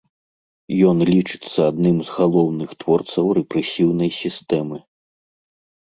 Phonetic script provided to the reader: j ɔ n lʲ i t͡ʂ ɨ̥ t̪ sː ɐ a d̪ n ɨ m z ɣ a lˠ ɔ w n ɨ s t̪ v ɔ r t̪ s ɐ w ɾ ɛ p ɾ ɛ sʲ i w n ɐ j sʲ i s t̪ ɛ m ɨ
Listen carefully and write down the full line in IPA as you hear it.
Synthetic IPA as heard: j ɔ n lʲ i t͡ʂ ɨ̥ t̪ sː ɐ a d̪ n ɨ m z ɣ a lˠ ɔ w n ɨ x t̪ v ɔ r t̪ s ɐ w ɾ ɛ p ɾ ɛ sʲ i w n ɐ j sʲ i s t̪ ɛ m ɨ